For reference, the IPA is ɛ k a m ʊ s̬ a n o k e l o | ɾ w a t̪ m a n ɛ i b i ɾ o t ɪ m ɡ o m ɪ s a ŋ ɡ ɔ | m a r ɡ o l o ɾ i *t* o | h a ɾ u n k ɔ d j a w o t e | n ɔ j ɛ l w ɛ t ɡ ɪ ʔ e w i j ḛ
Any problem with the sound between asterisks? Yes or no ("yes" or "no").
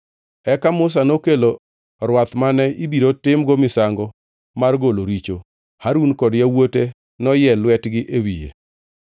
yes